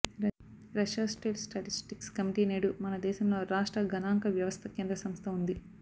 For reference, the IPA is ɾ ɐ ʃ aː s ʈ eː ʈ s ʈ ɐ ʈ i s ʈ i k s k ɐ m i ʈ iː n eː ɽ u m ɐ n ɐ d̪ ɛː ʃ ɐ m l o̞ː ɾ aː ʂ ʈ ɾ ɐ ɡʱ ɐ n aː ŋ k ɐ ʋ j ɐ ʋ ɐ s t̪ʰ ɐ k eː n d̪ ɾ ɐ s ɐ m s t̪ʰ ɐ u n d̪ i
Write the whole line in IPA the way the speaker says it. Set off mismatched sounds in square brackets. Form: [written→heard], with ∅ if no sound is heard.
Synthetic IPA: ɾ ɐ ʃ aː s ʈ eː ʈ s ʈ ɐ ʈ i s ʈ i k s k ɐ m i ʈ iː n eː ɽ u m ɐ n ɐ d̪ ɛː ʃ ɐ m l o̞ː ɾ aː ʂ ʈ ɾ ɐ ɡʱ ɐ n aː ŋ k ɐ ʋ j ɐ ʋ ɐ s t̪ʰ ɐ k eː n d̪ ɾ ɐ s ɐ m s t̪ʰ ɐ u n d̪ i